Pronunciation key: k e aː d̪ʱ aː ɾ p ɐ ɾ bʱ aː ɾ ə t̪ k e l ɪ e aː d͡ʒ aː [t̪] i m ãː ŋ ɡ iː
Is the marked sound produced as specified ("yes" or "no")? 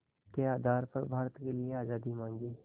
no